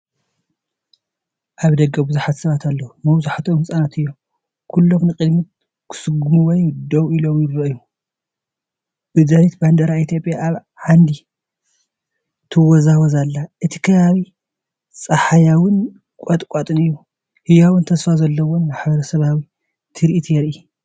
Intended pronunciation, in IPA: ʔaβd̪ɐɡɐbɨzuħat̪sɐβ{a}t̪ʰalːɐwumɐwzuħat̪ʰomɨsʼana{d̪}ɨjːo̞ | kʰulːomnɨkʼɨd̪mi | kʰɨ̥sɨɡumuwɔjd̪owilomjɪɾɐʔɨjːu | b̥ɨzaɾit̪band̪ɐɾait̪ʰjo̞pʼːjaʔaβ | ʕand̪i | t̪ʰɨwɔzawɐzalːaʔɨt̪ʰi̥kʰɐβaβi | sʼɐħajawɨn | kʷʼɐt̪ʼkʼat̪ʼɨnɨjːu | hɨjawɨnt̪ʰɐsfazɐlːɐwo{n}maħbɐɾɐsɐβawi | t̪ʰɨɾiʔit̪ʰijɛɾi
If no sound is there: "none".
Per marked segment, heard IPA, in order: a, t̪, n

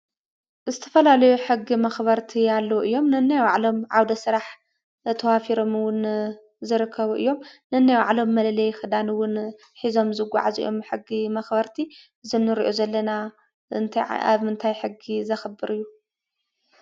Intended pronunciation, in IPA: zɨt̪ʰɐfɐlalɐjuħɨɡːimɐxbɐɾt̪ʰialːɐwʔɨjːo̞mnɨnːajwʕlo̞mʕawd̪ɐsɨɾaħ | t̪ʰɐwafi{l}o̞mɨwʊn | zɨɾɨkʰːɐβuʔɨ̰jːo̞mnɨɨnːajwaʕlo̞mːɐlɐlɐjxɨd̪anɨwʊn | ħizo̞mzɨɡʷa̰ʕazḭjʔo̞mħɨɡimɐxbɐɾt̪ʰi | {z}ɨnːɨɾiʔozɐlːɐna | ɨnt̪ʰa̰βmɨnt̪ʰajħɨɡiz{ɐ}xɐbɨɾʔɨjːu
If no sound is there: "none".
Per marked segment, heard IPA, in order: ɾ, z, ɐ

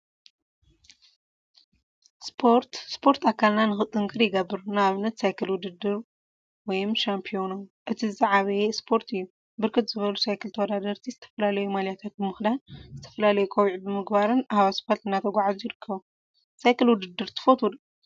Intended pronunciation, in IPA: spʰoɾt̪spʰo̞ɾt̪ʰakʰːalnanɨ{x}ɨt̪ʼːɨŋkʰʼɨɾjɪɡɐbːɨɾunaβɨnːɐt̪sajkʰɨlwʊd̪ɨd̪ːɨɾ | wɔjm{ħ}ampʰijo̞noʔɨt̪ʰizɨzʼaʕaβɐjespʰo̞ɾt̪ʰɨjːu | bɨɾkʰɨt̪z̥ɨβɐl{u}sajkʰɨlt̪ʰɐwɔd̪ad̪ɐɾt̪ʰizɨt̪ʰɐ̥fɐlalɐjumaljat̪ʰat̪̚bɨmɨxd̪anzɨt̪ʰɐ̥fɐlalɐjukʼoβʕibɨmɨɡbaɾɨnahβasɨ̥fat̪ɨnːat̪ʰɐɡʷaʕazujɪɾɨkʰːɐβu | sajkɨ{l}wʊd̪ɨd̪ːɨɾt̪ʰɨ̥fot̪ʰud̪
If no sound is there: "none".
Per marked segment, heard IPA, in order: x, ʃ, u, l

